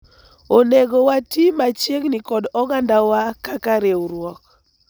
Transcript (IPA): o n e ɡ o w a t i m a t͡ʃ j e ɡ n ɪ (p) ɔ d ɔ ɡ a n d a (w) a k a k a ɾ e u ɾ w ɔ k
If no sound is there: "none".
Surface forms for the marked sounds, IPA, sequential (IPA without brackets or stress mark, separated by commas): k, w